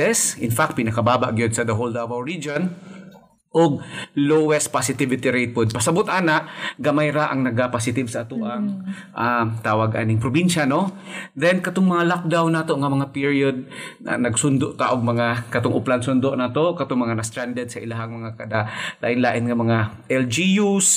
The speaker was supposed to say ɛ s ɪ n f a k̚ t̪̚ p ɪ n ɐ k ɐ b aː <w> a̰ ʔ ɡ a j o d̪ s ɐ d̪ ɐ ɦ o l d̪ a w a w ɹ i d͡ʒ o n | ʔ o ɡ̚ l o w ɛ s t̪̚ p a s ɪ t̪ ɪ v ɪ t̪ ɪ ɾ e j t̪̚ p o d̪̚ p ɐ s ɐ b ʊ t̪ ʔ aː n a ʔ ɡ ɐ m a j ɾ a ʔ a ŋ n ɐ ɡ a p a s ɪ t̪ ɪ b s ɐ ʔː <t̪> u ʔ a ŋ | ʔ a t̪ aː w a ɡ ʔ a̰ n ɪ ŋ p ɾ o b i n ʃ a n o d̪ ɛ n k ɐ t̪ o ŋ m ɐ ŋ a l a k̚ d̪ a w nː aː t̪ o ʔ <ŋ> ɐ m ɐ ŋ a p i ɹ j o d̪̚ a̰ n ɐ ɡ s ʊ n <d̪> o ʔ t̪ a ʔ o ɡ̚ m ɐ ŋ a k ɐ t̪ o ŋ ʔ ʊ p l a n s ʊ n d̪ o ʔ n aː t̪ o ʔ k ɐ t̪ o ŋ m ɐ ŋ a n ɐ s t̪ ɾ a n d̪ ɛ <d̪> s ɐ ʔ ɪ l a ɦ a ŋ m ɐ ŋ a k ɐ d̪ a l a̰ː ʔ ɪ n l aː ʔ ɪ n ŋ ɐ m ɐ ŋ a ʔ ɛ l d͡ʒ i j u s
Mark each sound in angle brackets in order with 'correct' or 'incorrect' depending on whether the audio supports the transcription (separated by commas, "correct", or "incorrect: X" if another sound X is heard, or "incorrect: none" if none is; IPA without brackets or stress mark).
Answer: incorrect: b, correct, correct, correct, correct